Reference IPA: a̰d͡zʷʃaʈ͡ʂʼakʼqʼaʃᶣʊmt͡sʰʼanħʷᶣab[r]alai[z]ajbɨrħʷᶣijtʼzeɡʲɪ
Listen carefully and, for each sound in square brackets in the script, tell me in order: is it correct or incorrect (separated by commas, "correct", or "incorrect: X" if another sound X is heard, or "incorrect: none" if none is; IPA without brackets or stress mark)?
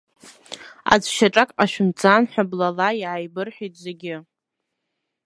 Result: incorrect: l, incorrect: ʕ